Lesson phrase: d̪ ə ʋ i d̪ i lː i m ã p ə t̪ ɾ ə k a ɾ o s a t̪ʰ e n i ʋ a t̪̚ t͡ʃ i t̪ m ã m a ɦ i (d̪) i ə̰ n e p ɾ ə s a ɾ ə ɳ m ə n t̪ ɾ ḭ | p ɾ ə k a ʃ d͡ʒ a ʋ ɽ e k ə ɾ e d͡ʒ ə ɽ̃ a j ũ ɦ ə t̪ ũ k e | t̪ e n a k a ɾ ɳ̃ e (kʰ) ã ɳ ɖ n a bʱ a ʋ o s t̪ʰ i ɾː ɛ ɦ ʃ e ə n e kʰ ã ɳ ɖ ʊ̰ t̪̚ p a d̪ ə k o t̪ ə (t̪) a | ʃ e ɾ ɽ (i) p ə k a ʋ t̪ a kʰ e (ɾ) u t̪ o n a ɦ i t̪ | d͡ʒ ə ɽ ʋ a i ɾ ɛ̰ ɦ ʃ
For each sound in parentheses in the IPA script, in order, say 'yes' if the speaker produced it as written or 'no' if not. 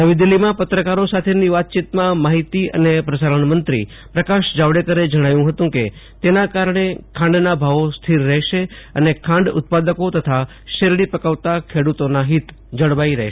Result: no, yes, no, yes, no

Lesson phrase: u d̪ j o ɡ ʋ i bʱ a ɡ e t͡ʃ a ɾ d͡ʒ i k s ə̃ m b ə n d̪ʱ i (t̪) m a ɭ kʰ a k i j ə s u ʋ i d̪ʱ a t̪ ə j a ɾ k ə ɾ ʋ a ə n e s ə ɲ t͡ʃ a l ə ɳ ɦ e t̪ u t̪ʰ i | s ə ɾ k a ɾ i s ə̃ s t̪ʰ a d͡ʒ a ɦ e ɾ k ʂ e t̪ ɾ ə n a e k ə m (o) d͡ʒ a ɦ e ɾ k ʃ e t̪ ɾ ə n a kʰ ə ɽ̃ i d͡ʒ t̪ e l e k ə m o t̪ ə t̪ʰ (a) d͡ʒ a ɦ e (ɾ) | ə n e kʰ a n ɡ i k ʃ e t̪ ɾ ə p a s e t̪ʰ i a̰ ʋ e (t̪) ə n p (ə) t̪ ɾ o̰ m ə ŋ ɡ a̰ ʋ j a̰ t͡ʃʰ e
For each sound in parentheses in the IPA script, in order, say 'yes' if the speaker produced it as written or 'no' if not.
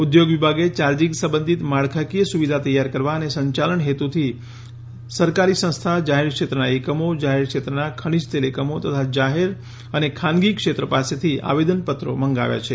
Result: yes, yes, yes, yes, no, yes

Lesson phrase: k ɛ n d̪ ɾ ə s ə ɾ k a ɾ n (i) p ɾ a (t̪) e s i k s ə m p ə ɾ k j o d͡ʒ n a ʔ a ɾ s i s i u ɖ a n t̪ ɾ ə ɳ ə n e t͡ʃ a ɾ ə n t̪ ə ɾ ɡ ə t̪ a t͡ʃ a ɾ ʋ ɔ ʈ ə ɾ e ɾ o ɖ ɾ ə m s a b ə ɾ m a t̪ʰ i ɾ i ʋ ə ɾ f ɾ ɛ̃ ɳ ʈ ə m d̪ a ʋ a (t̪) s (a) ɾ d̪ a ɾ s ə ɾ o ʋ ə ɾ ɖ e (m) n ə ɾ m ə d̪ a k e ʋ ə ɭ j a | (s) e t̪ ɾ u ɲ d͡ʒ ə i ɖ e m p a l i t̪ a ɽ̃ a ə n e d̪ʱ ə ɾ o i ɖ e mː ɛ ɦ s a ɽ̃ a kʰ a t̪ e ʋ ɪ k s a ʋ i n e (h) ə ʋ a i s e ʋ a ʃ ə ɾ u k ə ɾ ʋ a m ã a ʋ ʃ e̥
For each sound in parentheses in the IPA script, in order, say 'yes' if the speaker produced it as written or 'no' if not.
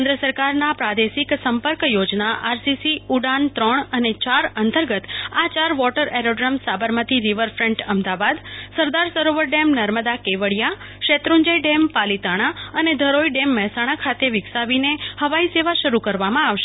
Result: no, no, no, no, yes, no, yes

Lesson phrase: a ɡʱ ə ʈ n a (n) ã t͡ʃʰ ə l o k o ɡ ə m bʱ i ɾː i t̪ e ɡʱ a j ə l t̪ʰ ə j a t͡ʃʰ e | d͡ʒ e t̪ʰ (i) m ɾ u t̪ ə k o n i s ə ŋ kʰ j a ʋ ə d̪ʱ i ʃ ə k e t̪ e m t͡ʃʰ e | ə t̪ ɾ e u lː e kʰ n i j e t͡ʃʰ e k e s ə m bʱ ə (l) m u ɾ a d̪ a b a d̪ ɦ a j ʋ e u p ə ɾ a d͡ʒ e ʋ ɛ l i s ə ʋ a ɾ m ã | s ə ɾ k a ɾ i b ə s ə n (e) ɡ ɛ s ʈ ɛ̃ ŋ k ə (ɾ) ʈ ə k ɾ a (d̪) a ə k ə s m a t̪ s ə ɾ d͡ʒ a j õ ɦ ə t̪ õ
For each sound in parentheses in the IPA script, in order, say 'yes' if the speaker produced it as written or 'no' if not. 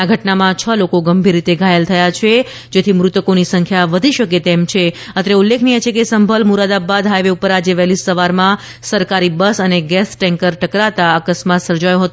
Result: no, yes, yes, yes, yes, no

